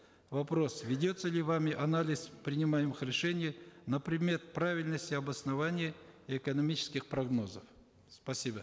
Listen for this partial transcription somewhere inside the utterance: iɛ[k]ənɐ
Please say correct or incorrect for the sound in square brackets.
correct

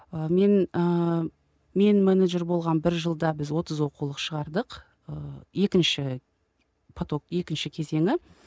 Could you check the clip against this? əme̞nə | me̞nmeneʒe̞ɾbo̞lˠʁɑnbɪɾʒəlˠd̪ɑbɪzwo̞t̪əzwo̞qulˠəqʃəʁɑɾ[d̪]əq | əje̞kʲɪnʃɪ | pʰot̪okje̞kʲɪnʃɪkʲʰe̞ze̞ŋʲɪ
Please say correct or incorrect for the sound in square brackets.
correct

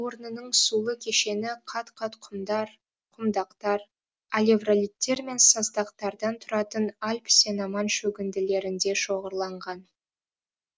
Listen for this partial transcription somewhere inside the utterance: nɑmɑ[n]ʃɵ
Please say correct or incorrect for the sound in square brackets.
correct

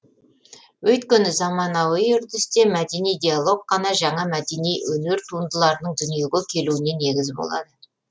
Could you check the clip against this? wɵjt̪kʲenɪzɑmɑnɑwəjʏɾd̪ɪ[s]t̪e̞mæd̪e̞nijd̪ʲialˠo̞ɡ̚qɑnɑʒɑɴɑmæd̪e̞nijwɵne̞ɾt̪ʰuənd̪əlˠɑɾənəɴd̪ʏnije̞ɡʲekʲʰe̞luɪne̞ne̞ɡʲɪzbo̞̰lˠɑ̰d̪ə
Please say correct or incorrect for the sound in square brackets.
correct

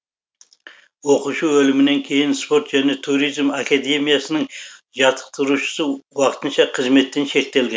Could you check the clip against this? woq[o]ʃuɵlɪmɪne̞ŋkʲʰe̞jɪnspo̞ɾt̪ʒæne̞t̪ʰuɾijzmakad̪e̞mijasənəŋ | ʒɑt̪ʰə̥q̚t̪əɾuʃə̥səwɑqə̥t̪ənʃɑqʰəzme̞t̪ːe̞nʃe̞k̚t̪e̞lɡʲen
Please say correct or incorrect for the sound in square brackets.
incorrect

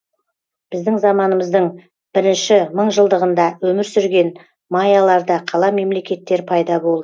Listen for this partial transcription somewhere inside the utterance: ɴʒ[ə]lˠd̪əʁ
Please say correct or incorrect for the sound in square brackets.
correct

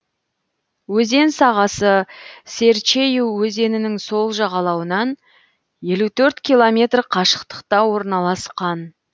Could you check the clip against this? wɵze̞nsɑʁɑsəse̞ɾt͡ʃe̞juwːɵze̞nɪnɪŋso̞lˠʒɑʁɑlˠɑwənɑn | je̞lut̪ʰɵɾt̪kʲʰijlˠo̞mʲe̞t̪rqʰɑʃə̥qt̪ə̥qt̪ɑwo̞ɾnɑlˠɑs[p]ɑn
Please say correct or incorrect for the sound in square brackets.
incorrect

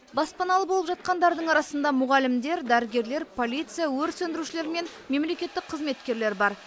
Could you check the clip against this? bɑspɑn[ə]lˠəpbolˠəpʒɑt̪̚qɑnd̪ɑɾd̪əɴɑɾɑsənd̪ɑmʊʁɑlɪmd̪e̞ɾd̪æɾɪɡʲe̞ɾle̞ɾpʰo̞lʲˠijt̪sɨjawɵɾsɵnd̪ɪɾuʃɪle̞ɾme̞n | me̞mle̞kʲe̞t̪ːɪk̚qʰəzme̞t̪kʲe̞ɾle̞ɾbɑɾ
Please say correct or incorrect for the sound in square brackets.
incorrect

